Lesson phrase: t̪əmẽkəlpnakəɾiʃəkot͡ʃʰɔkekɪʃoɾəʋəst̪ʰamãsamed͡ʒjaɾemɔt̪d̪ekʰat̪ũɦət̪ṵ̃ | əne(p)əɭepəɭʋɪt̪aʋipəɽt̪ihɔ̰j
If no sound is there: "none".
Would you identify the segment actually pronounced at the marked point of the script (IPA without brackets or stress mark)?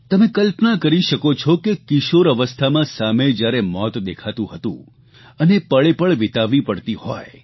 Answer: p